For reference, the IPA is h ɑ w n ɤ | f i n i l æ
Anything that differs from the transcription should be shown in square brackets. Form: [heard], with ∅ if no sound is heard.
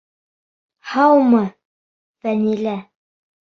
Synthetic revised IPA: h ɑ w [m] ɤ | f [æ] n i l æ